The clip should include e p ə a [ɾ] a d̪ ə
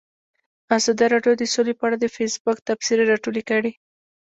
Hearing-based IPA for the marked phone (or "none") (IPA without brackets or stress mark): ɽ